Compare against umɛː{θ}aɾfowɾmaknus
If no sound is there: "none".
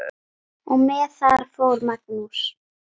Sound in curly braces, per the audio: θ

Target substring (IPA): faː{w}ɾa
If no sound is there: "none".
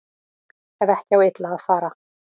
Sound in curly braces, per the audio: none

